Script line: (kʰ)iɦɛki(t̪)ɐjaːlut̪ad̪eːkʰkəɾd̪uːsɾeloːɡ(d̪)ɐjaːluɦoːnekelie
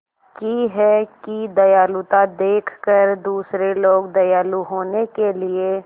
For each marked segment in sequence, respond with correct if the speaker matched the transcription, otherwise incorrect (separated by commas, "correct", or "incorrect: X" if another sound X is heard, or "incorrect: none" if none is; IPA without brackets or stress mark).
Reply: incorrect: k, incorrect: d̪, correct